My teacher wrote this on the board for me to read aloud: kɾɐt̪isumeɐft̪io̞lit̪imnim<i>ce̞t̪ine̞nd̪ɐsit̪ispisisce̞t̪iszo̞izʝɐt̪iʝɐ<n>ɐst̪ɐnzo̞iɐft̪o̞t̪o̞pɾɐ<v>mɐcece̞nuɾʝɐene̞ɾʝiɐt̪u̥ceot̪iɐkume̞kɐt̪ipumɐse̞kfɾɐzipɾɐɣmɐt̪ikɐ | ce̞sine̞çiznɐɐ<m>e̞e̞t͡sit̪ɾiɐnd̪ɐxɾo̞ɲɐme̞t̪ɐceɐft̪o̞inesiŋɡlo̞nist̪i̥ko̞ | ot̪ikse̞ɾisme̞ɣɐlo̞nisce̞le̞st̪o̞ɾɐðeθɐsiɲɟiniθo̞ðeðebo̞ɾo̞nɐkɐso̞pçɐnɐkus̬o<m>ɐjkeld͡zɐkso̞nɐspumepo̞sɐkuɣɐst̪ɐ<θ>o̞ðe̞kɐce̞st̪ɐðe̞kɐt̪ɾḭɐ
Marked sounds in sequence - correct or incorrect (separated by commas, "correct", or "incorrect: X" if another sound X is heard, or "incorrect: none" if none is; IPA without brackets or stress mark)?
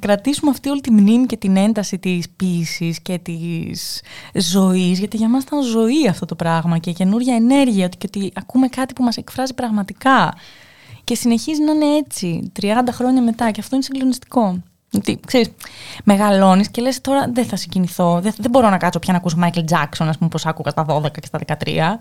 correct, incorrect: m, incorrect: ɣ, incorrect: n, correct, incorrect: ð